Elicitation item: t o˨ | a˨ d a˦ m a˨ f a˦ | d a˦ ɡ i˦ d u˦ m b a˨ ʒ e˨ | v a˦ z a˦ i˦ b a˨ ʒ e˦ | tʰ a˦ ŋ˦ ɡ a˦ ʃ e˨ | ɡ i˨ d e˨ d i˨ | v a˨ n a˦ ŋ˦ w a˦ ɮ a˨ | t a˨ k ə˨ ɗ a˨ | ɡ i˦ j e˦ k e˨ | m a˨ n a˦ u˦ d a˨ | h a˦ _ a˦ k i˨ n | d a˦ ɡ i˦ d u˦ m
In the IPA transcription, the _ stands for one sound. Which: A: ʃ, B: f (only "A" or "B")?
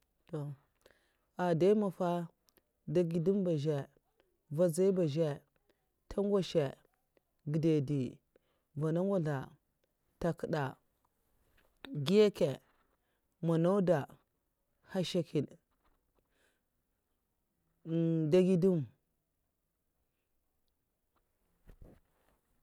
A